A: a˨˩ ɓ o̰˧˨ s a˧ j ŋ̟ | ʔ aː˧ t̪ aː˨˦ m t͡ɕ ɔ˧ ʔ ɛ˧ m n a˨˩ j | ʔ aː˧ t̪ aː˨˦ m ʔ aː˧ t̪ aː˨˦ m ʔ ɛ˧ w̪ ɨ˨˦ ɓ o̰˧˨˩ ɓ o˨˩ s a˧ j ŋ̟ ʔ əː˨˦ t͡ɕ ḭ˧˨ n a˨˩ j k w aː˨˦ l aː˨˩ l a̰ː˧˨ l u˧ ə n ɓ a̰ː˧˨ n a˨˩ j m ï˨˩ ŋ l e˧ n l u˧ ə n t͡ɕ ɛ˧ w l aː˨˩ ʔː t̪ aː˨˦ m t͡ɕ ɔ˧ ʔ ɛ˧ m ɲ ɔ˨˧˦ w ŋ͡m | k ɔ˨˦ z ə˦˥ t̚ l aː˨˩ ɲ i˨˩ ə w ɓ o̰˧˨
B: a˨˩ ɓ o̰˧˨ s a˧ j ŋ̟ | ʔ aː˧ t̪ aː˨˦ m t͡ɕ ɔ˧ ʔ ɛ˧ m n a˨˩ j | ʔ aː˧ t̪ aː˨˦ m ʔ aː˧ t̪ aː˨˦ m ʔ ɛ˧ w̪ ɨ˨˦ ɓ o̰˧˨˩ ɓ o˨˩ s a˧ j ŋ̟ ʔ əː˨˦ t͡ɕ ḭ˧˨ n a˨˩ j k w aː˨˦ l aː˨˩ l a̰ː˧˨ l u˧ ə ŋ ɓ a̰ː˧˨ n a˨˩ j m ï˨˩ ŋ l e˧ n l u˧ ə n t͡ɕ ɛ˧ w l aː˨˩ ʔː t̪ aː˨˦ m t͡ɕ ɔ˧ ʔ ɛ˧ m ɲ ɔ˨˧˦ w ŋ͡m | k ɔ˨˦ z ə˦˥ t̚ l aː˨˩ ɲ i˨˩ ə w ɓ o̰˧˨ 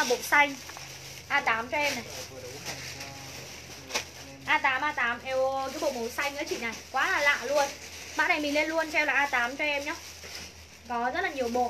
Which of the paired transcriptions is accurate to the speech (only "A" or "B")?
A